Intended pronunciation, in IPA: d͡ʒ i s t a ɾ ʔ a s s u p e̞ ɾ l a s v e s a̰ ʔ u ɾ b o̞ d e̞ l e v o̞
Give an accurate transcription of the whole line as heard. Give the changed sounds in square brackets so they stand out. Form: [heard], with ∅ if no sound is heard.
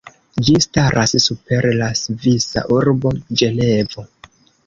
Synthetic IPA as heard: d͡ʒ i s t a ɾ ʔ a s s u p e̞ ɾ l a s v [i] s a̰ ʔ u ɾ b o̞ [d͡ʒ] e̞ l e v o̞

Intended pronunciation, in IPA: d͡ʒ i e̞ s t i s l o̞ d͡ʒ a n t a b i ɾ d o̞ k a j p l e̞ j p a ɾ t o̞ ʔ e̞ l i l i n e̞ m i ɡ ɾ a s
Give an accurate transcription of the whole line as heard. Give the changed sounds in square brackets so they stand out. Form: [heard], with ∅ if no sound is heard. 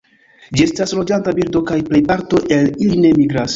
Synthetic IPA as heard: d͡ʒ i e̞ s t [a] s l o̞ d͡ʒ a n t a b i ɾ d o̞ k a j p l e̞ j p a ɾ t o̞ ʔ e̞ l i l i n e̞ m i ɡ ɾ a s

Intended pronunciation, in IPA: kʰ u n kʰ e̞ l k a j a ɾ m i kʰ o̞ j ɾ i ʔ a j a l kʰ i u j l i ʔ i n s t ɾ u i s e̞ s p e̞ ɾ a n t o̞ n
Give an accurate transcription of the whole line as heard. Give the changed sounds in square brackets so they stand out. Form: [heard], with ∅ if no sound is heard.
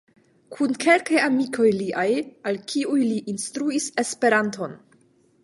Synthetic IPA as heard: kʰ u n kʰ e̞ l k a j a [∅] m i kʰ o̞ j [l] i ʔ a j a l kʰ i u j l i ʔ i n s t ɾ u i s e̞ s p e̞ ɾ a n t o̞ n

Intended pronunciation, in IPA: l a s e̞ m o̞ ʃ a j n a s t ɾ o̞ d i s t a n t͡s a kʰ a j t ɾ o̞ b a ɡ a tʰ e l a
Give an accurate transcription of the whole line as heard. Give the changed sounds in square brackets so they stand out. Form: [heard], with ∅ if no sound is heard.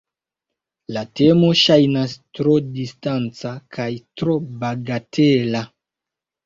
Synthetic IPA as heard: l a [t] e̞ m o̞ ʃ a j n a s t ɾ o̞ d i s t a n t͡s a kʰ a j t ɾ o̞ b a ɡ a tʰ e l a

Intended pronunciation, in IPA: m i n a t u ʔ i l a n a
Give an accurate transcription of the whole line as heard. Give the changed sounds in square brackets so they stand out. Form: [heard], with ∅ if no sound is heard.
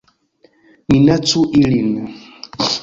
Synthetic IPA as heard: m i n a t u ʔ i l [i] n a

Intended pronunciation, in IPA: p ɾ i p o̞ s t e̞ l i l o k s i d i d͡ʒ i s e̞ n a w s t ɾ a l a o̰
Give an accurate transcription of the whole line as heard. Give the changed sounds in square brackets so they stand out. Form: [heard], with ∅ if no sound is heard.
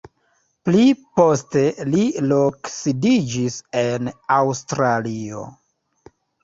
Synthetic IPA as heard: p [l] i p o̞ s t e̞ l i l o k s i d i d͡ʒ i s e̞ n a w s t ɾ a l [i] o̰

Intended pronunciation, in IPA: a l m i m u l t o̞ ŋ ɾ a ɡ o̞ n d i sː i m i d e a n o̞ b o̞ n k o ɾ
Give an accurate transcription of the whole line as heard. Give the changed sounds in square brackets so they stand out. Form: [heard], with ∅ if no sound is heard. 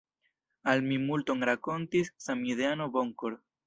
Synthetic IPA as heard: a l m i m u l t o̞ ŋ ɾ a [k] o̞ n [t] i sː [a] m i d e a n o̞ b o̞ [ŋ] k o ɾ

